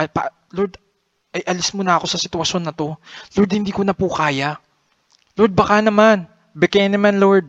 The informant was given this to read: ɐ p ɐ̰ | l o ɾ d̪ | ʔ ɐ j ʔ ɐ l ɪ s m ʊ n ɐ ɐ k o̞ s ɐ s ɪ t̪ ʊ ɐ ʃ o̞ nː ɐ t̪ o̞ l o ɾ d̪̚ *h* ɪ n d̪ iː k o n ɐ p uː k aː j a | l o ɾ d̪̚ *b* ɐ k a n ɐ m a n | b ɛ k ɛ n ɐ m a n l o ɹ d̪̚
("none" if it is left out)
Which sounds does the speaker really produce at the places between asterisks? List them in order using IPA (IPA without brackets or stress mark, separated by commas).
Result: h, b